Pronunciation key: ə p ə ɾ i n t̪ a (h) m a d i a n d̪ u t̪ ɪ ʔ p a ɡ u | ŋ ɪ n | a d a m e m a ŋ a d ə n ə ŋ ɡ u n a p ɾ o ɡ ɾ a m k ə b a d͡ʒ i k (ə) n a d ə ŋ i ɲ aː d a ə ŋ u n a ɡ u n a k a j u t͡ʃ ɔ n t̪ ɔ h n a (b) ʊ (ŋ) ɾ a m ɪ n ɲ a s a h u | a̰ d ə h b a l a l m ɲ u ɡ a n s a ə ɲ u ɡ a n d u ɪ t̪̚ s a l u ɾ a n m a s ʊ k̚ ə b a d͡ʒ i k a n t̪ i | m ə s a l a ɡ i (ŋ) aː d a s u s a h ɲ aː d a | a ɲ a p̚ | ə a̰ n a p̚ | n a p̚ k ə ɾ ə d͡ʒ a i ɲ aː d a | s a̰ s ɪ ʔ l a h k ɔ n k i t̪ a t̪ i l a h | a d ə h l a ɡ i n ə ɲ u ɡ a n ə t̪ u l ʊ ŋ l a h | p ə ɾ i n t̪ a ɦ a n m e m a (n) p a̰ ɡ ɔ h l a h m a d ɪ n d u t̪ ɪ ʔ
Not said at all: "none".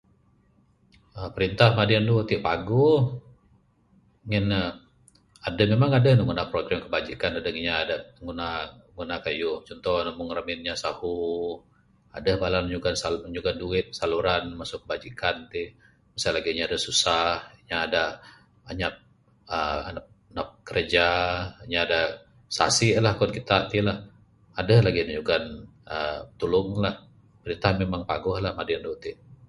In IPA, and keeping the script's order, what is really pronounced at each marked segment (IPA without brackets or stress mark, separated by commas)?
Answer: h, a, m, ŋ, ɲ, ŋ